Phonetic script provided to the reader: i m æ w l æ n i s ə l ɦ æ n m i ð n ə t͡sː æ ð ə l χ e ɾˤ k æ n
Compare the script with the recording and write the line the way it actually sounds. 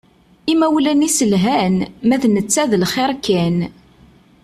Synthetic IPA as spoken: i m æ w l æ n i s ə l ɦ æ n m æ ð n ə t͡sː æ ð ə l χ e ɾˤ k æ n